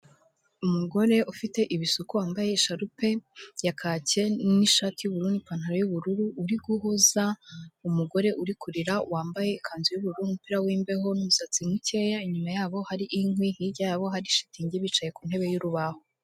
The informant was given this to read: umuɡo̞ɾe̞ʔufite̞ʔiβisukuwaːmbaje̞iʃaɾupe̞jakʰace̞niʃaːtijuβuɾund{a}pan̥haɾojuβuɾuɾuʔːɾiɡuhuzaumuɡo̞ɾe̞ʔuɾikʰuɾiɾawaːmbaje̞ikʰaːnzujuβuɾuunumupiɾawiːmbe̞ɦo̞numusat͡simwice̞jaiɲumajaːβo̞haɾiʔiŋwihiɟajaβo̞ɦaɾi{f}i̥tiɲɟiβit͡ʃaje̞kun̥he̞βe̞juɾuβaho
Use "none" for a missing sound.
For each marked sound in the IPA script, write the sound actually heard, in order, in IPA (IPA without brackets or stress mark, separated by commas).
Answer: i, ʃ